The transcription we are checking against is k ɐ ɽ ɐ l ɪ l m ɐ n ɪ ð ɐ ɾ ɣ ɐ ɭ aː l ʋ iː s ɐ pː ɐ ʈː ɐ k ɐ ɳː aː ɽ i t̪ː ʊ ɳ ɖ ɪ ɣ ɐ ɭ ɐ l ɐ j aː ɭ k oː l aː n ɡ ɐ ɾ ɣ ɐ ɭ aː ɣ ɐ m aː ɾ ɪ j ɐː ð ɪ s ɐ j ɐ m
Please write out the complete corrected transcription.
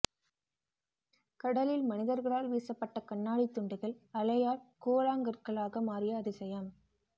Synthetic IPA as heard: k ɐ ɽ ɐ l ɪ l m ɐ n ɪ ð ɐ ɾ ɣ ɐ ɭ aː l ʋ iː s ɐ pː ɐ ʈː ɐ k ɐ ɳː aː ɽ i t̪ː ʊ ɳ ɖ ɪ ɣ ɐ ɭ ɐ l ɐ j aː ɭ k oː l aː ŋ ɡ ɐ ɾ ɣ ɐ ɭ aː ɣ ɐ m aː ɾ ɪ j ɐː ð ɪ s ɐ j ɐ m